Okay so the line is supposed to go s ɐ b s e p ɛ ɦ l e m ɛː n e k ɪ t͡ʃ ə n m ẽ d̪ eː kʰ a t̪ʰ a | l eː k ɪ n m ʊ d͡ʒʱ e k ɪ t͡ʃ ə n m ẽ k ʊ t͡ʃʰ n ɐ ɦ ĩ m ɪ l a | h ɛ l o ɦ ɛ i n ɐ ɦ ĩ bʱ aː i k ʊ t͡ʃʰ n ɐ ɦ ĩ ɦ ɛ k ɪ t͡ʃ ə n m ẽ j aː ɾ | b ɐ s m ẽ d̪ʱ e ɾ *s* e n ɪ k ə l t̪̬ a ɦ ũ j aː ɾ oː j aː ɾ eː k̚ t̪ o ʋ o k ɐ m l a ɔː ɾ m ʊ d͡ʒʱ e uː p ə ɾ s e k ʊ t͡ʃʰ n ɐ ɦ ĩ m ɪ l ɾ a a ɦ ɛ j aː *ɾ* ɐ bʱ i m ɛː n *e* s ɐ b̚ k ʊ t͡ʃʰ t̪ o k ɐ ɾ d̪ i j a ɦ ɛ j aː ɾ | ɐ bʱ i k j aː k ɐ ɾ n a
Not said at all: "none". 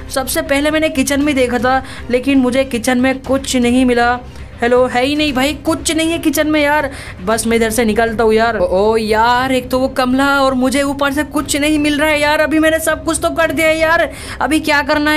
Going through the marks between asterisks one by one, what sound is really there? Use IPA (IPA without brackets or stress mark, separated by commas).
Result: s, ɾ, e